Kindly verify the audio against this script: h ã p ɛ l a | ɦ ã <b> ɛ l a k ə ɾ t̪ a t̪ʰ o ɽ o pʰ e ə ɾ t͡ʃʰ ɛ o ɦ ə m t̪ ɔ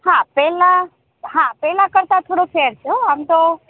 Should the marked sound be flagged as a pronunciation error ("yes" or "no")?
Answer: yes